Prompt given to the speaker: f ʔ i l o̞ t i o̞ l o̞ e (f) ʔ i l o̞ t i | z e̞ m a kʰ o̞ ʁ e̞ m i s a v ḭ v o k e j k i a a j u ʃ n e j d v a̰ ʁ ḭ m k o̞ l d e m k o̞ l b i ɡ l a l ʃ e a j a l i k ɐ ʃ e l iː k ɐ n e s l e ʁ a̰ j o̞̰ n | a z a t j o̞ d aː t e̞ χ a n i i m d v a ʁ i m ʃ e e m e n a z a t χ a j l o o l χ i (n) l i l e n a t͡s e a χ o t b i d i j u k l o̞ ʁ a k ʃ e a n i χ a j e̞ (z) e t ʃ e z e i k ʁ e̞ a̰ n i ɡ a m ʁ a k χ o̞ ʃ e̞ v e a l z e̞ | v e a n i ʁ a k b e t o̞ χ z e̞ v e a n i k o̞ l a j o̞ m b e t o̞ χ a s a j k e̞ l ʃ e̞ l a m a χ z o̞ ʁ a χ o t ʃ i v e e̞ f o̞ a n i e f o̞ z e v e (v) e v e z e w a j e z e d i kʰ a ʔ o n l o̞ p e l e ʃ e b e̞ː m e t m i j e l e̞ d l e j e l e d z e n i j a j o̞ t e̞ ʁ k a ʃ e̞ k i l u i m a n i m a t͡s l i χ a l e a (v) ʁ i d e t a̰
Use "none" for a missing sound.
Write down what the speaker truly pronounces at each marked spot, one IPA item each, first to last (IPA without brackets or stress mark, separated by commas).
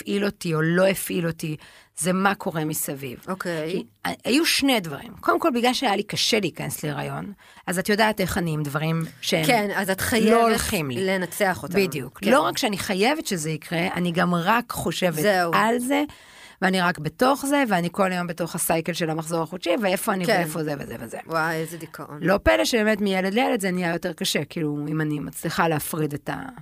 f, m, v, z, f